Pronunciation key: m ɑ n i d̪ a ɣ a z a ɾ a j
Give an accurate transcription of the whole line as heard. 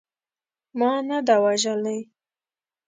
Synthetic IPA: m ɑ n a d̪ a w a ʒ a l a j